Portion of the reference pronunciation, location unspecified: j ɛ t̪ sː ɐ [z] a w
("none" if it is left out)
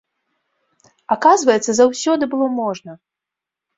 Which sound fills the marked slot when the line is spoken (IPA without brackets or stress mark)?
z